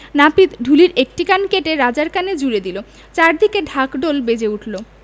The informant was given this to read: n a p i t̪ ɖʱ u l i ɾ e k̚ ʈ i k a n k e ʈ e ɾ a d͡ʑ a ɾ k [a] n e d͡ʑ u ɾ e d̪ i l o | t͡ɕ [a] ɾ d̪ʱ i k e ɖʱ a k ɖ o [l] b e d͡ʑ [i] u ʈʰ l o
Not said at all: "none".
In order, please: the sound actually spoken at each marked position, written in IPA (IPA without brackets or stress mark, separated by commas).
a, a, l, e